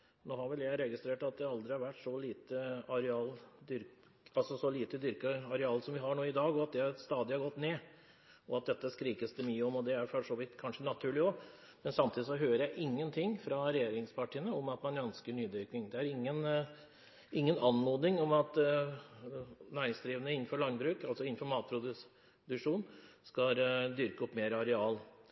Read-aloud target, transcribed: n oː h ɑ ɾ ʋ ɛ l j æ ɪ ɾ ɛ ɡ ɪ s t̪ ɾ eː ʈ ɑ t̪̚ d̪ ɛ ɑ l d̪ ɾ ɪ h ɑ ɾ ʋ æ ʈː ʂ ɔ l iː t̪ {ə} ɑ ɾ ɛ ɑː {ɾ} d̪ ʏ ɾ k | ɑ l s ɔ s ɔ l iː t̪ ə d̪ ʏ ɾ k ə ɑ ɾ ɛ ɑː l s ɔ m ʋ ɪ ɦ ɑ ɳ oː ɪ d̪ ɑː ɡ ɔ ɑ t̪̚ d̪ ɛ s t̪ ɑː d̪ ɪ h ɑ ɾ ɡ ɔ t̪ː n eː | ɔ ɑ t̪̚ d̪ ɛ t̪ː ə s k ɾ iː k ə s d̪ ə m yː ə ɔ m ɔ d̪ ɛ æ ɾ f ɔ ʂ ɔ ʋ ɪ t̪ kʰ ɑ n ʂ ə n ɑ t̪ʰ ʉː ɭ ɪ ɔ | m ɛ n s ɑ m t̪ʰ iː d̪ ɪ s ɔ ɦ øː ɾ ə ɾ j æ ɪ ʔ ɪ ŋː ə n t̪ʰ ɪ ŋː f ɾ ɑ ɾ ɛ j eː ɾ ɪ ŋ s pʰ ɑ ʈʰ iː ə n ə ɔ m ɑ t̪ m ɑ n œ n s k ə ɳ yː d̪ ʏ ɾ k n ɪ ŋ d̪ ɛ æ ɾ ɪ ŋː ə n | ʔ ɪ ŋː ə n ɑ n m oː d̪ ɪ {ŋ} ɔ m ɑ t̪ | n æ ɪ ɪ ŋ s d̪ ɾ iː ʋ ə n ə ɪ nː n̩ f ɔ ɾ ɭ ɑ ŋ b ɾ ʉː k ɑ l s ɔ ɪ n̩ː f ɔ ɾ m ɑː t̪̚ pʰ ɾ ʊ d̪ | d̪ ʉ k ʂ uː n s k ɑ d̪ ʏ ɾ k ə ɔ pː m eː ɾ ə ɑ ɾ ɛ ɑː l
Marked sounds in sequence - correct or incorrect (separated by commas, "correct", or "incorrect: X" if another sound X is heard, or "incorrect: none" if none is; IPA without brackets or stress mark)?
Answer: correct, incorrect: l, correct